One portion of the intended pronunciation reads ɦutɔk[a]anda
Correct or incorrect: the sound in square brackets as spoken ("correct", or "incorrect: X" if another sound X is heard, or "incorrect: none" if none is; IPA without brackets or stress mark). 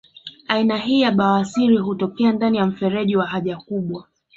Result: incorrect: ɛ